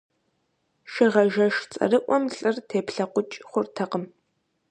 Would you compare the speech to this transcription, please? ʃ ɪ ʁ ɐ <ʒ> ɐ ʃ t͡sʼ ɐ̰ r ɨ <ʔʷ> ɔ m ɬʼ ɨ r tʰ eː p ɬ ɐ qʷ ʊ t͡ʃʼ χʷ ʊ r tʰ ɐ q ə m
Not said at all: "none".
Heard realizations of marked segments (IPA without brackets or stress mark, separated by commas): ʒ, ʔʷ